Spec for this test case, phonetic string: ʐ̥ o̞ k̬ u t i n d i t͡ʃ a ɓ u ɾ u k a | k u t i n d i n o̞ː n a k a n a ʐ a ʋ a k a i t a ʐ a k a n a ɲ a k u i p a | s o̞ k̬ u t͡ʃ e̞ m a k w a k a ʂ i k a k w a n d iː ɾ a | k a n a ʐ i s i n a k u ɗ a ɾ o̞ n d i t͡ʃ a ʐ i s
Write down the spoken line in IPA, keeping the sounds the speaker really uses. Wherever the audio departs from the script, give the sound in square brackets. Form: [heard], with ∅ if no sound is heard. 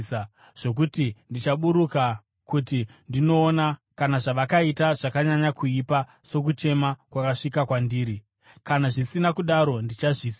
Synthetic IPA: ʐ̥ o̞ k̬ u t i n d i t͡ʃ a ɓ u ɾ u k a | k u t i n d i n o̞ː n a k a n a ʐ a ʋ a k a i t a ʐ a k a [ɲ] a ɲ a k u i p a | s o̞ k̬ u t͡ʃ e̞ m a k w a k a ʂ i k a k w a n d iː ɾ [i] | k a n a ʐ i s i n a k u ɗ a ɾ o̞ n d i t͡ʃ a ʐ i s